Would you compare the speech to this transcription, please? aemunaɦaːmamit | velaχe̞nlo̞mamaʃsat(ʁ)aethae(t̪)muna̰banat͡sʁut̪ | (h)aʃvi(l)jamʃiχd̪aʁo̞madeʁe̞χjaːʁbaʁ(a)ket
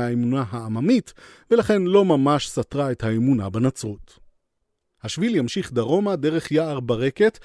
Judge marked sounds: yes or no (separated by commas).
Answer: yes, no, yes, yes, no